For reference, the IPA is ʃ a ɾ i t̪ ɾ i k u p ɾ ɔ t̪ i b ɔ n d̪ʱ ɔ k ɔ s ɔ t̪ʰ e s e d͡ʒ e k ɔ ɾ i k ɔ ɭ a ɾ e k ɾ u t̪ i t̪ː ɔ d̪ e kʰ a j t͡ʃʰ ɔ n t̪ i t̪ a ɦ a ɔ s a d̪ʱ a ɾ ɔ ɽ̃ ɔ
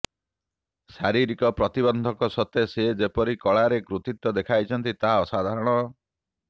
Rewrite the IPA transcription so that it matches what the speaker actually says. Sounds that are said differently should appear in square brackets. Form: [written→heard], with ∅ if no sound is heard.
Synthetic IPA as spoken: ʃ a ɾ i [t̪→∅] ɾ i k [u→ɔ] p ɾ ɔ t̪ i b ɔ n d̪ʱ ɔ k ɔ s ɔ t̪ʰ e s e d͡ʒ e [k→p] ɔ ɾ i k ɔ ɭ a ɾ e k ɾ u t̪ i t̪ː ɔ d̪ e kʰ a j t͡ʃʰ ɔ n t̪ i t̪ a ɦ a ɔ s a d̪ʱ a ɾ ɔ ɽ̃ ɔ